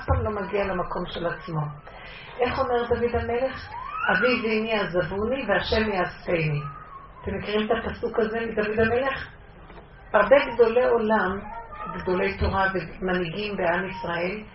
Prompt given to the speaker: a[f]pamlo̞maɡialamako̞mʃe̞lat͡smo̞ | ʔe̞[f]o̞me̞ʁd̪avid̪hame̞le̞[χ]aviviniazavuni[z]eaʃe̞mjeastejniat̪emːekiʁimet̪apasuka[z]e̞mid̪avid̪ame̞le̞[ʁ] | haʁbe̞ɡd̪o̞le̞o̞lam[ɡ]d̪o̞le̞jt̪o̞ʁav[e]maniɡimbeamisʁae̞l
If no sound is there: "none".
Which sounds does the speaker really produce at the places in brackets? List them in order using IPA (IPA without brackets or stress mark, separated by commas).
f, χ, χ, v, z, χ, ɡ, e